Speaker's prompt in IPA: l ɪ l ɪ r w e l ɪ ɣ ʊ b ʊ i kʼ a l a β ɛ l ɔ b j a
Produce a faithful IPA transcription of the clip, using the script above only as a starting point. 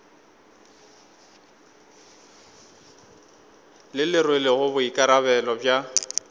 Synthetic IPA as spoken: l ɪ l ɪ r w e l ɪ ɣ ʊ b ʊ i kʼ a ɾ a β ɛ l ɔ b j a